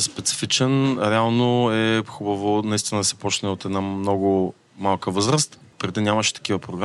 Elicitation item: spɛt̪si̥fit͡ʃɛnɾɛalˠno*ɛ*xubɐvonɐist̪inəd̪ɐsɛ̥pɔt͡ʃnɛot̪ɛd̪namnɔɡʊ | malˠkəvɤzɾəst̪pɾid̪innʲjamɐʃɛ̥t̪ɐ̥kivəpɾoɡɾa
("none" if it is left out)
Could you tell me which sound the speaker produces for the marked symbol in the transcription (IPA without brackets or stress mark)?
ɛ